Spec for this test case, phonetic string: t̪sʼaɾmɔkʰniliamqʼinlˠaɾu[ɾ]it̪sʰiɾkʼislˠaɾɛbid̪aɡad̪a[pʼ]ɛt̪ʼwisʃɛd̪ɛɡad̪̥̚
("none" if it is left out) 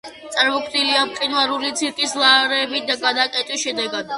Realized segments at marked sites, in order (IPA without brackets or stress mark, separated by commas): l, kʼ